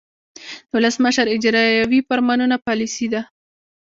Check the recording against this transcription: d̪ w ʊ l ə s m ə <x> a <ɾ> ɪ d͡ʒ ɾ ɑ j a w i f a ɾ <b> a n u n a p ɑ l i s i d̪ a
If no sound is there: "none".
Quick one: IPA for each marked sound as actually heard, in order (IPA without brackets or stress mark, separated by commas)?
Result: ʃ, ɾ, m